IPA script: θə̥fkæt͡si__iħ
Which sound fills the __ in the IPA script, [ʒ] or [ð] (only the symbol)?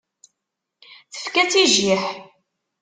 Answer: ʒ